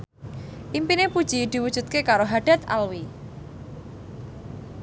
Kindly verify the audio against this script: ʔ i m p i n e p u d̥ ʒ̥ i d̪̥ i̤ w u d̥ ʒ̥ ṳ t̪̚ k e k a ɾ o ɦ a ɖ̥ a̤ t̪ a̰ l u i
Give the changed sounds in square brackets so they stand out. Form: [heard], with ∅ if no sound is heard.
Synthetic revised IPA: ʔ i m p i n e p u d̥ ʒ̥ i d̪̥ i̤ w u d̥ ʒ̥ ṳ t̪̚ k e k a ɾ o ɦ a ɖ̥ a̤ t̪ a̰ l [w] i